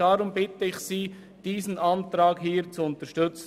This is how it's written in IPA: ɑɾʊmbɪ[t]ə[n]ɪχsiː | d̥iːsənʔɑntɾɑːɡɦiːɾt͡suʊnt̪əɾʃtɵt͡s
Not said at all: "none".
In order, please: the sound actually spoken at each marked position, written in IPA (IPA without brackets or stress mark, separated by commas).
t, none